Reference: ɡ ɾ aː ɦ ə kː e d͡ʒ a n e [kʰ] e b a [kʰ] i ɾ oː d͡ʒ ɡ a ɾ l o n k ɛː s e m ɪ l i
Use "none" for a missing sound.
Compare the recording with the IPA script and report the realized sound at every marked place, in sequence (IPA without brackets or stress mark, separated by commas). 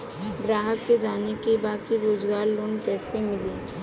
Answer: k, k